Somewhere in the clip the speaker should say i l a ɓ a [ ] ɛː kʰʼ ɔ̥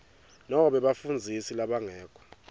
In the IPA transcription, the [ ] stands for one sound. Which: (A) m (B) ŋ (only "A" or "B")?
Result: B